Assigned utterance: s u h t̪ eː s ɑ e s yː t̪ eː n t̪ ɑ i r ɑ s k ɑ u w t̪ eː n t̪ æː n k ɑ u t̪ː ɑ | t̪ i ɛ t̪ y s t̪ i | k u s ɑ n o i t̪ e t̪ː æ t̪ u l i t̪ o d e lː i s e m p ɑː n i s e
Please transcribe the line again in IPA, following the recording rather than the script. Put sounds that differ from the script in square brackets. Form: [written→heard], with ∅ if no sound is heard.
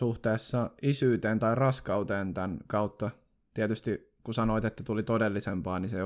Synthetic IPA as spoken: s u h t̪ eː [s→sː] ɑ [e→i] s yː t̪ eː n t̪ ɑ i r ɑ s k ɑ u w t̪ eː n t̪ [æː→æ] n k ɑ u t̪ː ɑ | t̪ i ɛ t̪ y s t̪ i | k u s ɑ n o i t̪ e t̪ː æ t̪ u l i t̪ o d e lː i s e m p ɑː n i s e